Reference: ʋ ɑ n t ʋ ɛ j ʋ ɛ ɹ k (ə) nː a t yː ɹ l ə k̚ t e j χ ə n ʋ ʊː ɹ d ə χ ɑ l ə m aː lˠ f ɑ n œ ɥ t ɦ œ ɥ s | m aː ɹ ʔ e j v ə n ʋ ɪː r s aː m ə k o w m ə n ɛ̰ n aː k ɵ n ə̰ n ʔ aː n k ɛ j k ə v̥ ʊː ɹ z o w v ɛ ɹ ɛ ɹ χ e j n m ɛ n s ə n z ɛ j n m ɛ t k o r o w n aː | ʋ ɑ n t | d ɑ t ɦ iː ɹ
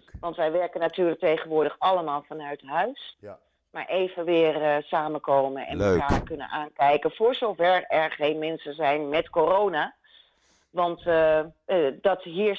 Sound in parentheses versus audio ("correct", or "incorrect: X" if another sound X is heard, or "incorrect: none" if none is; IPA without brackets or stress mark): correct